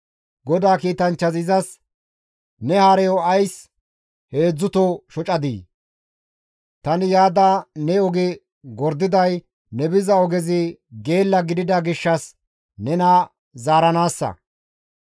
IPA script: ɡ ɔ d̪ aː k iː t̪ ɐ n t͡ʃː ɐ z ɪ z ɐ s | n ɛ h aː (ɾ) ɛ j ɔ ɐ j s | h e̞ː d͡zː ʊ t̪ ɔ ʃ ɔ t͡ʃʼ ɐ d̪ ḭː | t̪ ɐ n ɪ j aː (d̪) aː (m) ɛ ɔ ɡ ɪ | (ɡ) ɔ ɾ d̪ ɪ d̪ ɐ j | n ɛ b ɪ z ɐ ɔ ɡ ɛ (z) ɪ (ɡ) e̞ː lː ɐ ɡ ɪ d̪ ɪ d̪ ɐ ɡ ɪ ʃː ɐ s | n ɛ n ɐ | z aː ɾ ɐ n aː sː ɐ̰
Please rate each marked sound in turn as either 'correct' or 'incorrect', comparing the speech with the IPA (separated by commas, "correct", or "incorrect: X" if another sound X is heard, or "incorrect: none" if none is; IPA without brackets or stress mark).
correct, correct, incorrect: n, correct, correct, correct